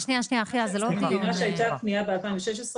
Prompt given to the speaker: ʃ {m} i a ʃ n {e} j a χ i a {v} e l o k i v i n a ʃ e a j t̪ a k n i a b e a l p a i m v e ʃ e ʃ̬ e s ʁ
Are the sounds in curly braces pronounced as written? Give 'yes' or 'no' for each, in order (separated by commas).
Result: no, no, no